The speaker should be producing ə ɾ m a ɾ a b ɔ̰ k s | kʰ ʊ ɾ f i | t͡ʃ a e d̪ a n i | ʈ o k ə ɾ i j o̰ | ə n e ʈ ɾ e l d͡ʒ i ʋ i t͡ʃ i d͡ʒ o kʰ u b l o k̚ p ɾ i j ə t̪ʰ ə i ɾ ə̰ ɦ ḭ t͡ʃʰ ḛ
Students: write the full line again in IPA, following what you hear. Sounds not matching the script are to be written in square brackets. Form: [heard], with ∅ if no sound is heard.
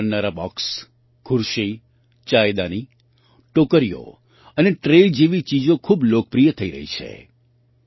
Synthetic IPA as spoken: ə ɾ [n] a ɾ a b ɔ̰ k s | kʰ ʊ ɾ [ʃ] i | t͡ʃ a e d̪ a n i | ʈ o k ə ɾ i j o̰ | ə n e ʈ ɾ e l d͡ʒ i ʋ i t͡ʃ i d͡ʒ o kʰ u b l o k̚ p ɾ i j ə t̪ʰ ə i ɾ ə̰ ɦ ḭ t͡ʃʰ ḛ